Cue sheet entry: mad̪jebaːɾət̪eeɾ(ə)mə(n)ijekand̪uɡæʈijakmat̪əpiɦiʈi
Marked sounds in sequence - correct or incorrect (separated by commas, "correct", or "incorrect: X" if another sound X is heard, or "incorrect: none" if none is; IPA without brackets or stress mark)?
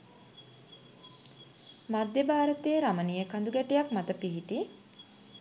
incorrect: a, correct